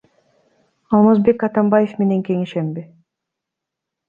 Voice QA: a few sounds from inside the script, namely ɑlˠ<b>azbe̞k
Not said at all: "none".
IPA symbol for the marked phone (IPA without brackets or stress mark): m